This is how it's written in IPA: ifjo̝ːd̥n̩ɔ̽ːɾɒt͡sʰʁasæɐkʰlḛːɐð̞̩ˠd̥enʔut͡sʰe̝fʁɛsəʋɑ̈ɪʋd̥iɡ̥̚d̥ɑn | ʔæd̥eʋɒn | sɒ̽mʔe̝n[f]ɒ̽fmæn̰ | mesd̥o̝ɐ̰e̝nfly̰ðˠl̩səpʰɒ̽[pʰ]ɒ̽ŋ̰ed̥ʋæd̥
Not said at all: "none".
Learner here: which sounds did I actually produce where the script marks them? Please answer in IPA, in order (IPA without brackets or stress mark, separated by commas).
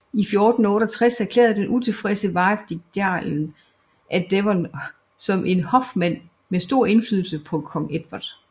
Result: h, kʰ